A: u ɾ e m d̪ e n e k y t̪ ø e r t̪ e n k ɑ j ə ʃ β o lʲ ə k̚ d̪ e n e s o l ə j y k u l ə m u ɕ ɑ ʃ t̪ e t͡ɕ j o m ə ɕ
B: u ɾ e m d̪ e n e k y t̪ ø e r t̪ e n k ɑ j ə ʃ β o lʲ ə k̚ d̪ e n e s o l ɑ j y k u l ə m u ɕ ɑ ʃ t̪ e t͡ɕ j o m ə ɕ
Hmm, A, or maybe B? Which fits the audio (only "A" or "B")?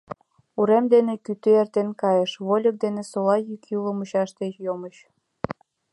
B